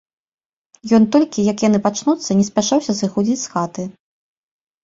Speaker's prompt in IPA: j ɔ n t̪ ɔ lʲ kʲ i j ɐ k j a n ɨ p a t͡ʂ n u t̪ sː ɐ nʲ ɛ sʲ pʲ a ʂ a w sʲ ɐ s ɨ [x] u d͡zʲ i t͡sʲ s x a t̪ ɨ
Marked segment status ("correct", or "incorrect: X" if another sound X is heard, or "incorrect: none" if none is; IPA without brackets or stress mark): correct